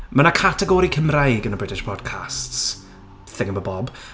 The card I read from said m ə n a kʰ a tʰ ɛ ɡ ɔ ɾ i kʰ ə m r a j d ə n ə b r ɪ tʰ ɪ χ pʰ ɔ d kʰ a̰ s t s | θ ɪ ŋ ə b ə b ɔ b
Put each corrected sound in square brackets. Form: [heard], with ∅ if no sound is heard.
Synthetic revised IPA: m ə n a kʰ a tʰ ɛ ɡ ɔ ɾ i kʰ ə m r a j [ɡ] ə n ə b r ɪ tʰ ɪ [ʃ] pʰ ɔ d kʰ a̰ s t s | θ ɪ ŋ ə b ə b ɔ b